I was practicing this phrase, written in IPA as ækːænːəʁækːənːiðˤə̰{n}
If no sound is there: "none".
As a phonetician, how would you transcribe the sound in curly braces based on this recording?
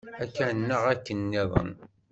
n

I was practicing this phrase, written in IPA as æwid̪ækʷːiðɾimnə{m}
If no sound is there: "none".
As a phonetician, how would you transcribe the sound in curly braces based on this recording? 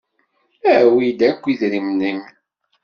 m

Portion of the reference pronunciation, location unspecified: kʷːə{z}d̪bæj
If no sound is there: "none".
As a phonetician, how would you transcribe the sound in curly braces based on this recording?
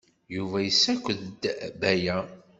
ð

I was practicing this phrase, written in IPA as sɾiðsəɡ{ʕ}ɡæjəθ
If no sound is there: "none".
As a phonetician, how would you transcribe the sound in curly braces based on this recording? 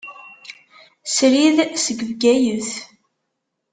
v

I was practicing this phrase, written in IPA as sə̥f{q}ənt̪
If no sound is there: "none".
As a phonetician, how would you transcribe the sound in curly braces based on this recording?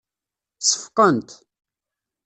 q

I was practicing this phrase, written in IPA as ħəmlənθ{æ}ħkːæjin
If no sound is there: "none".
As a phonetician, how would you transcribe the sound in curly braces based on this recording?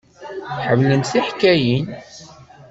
i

